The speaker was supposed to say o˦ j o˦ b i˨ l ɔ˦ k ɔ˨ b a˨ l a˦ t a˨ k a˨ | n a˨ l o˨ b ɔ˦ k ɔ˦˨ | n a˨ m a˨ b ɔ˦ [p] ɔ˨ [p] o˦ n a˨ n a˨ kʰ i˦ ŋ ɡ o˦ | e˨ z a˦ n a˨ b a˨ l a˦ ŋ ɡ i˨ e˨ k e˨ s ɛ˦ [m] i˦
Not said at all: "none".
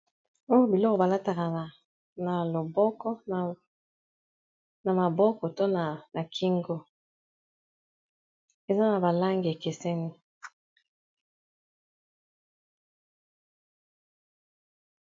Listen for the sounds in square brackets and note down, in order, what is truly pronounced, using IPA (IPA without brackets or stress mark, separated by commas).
k, t, n